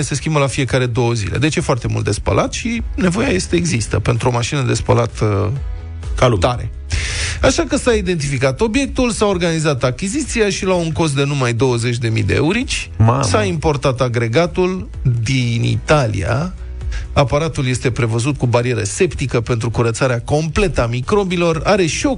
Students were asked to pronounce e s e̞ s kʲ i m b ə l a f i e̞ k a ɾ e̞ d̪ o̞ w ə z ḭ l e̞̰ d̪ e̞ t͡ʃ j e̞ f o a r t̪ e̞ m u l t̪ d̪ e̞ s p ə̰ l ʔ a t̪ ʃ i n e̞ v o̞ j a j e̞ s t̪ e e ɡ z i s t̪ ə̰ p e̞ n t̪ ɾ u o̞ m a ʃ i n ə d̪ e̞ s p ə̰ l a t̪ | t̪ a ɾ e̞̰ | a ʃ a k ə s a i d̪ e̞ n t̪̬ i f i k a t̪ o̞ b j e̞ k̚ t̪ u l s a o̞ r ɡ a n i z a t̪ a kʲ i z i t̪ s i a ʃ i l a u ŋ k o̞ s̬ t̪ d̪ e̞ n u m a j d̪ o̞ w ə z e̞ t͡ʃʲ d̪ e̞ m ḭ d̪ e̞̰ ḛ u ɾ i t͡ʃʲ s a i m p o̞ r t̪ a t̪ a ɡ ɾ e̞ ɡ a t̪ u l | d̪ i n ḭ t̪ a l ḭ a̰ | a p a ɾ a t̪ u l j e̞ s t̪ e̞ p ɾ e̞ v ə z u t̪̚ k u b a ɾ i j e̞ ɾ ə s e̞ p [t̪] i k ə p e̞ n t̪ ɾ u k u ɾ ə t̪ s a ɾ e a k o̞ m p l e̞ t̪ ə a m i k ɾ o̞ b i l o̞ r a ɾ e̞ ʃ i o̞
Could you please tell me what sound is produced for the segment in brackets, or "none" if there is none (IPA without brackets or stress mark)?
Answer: t̪